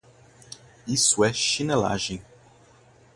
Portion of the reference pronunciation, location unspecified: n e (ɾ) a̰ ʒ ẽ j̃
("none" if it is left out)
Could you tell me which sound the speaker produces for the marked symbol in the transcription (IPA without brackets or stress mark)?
l